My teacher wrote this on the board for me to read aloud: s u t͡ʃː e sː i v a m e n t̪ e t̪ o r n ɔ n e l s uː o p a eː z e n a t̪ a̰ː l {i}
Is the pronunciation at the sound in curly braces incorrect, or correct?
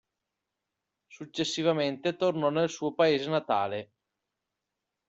incorrect